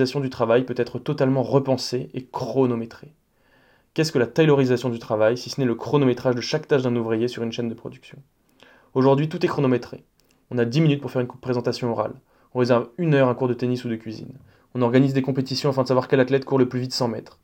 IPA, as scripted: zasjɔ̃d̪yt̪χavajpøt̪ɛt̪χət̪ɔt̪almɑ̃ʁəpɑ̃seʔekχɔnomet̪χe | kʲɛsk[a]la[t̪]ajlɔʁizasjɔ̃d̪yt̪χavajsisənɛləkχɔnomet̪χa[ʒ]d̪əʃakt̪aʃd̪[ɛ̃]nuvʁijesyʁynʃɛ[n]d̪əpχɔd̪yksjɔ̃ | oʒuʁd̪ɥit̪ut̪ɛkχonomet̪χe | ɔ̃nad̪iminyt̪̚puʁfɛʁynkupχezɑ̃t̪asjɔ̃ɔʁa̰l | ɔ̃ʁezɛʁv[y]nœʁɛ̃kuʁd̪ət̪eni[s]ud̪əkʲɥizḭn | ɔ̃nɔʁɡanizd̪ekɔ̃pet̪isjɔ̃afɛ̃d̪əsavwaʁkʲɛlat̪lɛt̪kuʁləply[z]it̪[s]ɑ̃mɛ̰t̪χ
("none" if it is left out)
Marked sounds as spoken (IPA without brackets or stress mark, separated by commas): ə, t̪, ʒ, ɛ̃, n, y, s, v, s